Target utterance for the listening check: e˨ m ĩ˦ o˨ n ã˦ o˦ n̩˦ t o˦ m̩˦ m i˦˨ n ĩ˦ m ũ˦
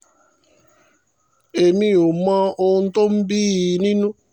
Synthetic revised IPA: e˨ m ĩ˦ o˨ m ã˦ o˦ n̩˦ t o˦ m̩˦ b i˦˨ n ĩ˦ n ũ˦